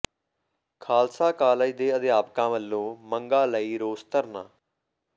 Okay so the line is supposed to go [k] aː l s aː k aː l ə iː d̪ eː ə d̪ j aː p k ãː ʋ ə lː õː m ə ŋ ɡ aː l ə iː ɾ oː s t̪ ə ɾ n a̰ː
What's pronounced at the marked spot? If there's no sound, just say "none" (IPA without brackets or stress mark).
kʰ